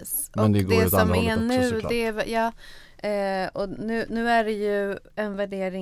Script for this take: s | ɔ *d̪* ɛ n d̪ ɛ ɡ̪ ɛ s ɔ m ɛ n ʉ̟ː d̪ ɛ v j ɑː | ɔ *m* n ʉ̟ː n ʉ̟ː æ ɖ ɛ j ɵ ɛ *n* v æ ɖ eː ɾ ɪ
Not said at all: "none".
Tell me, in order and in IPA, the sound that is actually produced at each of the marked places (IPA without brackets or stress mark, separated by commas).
none, none, n